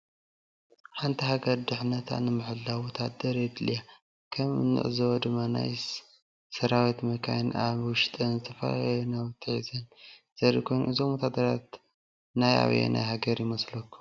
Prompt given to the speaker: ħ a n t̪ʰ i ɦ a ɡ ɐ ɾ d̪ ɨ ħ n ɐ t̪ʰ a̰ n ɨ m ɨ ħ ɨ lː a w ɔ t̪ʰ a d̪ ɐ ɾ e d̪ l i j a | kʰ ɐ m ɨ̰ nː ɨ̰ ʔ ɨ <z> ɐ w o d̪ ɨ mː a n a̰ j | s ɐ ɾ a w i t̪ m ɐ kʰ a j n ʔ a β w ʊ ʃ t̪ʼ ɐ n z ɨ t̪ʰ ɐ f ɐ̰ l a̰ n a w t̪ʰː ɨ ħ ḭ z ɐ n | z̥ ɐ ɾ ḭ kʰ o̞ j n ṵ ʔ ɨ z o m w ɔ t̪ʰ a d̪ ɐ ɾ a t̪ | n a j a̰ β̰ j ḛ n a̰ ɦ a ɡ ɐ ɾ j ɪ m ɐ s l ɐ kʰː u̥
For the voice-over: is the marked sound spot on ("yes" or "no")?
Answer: yes